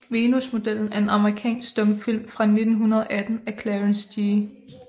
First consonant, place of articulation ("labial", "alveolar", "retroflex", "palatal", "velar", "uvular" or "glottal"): labial